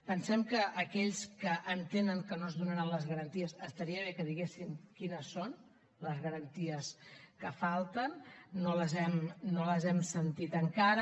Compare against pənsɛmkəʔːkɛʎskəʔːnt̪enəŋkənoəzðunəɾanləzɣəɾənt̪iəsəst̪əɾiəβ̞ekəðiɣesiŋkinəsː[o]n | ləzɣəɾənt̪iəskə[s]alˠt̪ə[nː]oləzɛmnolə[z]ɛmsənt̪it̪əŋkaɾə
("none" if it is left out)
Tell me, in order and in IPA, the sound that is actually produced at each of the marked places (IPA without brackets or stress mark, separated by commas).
o, f, nː, z